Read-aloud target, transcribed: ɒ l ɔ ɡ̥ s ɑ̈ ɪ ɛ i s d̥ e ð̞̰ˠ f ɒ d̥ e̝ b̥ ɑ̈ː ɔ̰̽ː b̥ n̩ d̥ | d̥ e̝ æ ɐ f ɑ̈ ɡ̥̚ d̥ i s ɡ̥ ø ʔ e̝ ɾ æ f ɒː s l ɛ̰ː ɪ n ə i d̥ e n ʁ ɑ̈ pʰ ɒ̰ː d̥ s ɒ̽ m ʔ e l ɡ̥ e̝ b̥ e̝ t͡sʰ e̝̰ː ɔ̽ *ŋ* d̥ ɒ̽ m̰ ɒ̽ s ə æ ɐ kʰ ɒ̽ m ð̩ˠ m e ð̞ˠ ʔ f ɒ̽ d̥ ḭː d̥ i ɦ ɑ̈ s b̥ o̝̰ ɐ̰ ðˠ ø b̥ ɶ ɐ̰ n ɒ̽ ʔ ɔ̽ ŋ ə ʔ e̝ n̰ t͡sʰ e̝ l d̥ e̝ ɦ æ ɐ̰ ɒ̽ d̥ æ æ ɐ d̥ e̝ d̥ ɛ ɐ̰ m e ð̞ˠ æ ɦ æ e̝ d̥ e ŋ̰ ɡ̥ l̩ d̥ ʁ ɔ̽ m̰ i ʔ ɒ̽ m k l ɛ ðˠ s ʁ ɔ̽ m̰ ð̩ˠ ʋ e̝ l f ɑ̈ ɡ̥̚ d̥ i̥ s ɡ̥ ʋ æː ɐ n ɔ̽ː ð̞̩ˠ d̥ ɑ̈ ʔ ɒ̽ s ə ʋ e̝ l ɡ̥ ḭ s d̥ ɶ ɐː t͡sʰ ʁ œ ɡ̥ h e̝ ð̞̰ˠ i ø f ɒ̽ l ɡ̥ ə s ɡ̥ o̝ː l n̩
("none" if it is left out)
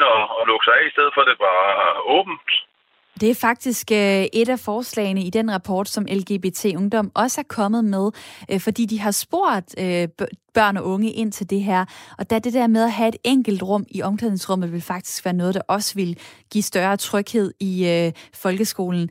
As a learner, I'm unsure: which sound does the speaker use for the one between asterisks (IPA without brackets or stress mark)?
ŋ